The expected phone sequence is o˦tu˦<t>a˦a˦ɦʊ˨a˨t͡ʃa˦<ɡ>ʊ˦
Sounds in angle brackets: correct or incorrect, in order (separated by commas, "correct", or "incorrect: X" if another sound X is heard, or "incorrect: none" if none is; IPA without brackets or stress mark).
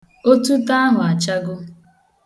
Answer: correct, correct